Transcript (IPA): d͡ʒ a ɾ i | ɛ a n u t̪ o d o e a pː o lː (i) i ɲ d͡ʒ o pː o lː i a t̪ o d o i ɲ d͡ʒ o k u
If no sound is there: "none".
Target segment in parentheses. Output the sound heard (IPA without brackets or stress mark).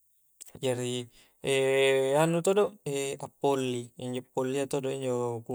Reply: i